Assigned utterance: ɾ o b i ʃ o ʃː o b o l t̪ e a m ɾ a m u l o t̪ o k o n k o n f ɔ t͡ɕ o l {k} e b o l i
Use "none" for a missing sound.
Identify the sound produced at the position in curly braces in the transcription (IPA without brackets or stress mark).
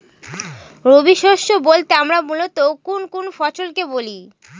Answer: k